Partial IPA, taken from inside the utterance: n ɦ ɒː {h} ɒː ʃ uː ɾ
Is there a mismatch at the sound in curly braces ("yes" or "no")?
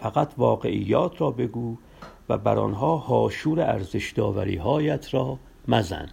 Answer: no